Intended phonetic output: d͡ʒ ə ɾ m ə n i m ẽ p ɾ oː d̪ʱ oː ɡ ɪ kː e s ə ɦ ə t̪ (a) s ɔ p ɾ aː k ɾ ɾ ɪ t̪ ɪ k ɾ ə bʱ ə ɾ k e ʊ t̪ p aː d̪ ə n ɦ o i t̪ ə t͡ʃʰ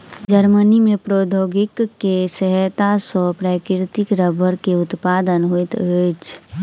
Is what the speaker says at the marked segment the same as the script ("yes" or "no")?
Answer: yes